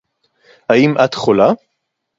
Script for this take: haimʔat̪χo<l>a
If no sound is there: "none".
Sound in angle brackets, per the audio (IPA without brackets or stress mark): l